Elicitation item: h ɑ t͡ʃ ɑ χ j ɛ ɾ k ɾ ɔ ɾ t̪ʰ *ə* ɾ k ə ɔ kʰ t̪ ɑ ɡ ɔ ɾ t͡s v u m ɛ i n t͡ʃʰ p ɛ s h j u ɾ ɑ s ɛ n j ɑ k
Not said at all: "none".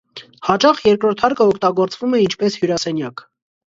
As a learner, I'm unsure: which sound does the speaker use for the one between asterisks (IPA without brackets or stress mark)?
ɑ